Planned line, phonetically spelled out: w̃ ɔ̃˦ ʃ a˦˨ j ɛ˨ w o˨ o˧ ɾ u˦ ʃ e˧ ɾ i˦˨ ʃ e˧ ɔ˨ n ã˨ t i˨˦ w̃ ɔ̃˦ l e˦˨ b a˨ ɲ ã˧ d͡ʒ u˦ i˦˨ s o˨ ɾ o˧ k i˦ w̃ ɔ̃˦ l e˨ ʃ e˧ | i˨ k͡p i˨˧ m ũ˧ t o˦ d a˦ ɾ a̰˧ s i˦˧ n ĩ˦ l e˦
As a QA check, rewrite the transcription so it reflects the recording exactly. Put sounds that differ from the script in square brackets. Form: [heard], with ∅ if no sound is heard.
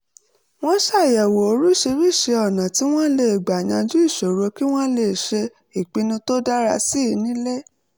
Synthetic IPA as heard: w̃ ɔ̃˦ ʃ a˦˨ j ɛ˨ w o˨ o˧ ɾ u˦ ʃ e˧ ɾ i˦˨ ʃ e˧ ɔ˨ n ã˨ t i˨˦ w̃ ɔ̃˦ l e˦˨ [ɡ͡b] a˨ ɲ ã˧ d͡ʒ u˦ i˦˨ [ʃ] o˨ ɾ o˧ k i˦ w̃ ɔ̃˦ l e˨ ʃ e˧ | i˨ k͡p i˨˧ [n] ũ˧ t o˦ d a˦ ɾ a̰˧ s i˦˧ n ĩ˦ l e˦